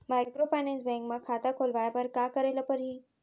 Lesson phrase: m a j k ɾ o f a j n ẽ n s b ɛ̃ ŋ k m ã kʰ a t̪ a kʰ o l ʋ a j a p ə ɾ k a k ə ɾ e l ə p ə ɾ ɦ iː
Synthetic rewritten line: m a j k ɾ o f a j n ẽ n s b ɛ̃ ŋ k m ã kʰ a t̪ a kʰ o l ʋ a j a p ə ɾ k a k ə ɾ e l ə p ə ɾ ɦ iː